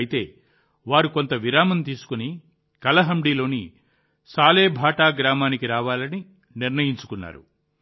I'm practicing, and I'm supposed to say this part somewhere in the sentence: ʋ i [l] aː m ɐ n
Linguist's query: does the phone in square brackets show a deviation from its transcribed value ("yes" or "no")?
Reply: yes